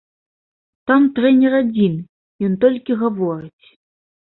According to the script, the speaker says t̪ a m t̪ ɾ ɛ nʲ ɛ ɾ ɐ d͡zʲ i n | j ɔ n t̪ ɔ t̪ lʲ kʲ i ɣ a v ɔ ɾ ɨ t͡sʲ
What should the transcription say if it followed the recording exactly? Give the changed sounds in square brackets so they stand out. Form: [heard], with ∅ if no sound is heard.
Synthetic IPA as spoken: t̪ a m t̪ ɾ ɛ nʲ ɛ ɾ [a] d͡zʲ i n | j ɔ n t̪ ɔ [∅] lʲ kʲ i ɣ a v ɔ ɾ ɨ t͡sʲ